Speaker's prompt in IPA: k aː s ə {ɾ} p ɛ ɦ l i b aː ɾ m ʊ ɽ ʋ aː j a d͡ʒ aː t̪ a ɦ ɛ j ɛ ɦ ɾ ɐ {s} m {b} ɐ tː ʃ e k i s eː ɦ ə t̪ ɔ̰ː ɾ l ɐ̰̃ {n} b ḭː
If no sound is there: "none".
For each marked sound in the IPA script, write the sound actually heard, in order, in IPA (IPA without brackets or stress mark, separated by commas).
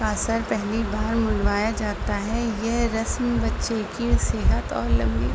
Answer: ɾ, s, b, m